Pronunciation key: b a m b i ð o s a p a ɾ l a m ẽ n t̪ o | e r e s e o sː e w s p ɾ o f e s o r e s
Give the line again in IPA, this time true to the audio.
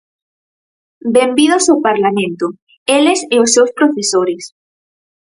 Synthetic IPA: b e m b i ð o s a p a ɾ l a m ẽ n t̪ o | e l e s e o sː e w s p ɾ o f e s o ɾ e s